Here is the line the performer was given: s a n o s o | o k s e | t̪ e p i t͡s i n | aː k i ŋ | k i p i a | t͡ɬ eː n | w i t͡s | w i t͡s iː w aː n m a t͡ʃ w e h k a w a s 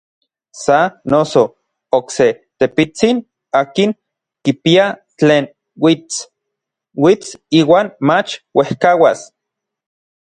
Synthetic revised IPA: s a n o s o | o k s e | t̪ e p i t͡s i n | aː k i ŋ | k i p i a | t͡ɬ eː n | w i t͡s | w i t͡s iː w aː n m a t͡ʃ w e h k a w a s